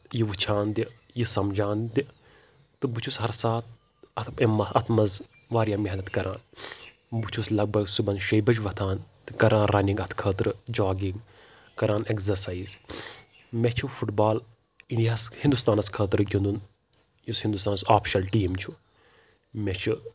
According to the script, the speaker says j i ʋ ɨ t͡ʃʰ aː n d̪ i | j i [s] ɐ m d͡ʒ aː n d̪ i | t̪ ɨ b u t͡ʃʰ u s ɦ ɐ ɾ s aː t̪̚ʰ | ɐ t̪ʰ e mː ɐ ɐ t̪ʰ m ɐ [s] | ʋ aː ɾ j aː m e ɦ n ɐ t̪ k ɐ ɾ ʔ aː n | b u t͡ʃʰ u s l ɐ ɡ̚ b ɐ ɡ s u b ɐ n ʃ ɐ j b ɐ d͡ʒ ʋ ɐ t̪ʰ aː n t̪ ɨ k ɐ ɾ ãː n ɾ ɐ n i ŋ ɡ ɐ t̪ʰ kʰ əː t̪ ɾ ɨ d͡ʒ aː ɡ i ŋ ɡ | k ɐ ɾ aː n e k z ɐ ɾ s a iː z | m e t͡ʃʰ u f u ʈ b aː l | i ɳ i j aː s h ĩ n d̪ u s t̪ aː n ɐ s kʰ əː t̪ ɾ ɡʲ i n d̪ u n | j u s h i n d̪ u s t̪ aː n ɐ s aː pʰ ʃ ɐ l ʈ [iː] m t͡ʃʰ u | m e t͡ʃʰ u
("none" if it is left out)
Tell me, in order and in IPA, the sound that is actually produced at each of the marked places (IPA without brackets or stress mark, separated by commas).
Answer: s, z, iː